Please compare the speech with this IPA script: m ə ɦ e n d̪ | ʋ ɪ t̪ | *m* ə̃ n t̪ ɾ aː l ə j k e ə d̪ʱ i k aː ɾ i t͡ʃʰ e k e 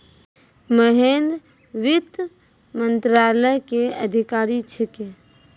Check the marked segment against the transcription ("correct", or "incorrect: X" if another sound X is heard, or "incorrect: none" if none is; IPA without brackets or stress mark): correct